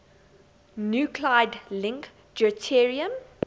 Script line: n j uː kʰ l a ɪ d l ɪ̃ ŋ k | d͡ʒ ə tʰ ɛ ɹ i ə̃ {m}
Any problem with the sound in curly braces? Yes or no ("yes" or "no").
no